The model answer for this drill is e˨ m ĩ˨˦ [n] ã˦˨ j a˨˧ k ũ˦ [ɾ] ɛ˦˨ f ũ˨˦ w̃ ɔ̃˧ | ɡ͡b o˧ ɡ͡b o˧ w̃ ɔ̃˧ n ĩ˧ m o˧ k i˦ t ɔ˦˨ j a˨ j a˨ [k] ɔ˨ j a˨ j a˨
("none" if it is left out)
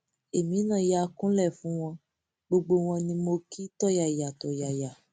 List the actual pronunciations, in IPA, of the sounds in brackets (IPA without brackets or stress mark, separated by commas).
n, l, t